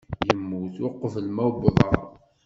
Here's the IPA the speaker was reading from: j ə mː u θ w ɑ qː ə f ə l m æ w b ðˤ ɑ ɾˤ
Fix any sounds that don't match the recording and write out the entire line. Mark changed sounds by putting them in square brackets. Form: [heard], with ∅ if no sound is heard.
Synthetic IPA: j ə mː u θ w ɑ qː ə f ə l m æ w b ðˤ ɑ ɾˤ